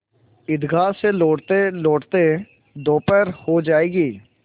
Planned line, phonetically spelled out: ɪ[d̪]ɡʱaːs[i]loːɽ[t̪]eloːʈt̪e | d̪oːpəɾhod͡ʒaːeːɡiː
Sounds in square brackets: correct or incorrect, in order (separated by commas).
correct, incorrect, correct